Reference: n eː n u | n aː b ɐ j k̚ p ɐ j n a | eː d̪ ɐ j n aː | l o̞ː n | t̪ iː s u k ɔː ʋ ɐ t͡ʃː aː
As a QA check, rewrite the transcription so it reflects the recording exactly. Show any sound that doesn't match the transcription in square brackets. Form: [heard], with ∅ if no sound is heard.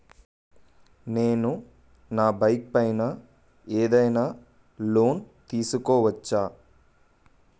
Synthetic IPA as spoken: n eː n u | n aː b ɐ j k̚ p ɐ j n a | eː d̪ ɐ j n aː | l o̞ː n | t̪ iː s u k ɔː ʋ ɐ t͡ʃː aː